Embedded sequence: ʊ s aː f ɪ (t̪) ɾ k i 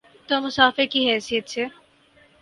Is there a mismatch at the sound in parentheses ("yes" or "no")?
yes